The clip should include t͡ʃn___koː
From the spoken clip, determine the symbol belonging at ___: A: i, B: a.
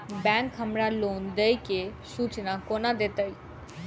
B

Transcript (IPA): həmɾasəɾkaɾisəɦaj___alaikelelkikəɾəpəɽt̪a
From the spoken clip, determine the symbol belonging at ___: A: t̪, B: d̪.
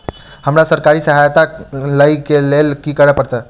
A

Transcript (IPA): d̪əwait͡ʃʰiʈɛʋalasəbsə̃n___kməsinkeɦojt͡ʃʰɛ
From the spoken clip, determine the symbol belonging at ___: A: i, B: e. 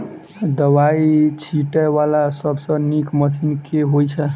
A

